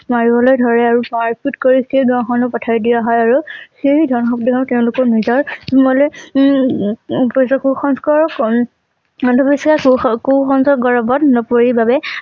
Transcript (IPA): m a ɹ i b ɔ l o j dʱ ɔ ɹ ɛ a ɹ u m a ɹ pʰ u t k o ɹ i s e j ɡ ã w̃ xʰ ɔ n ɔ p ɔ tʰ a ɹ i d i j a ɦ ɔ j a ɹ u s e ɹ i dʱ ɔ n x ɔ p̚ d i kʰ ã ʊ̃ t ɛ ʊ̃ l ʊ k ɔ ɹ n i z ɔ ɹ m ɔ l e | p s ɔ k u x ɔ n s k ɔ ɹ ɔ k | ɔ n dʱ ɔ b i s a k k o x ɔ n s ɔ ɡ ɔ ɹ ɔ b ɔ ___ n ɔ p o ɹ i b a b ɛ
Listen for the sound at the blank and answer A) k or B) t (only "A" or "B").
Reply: B